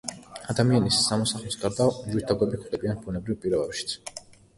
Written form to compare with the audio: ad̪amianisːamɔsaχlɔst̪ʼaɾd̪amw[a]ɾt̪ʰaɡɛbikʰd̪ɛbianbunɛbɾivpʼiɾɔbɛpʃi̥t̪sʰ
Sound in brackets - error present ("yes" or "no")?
yes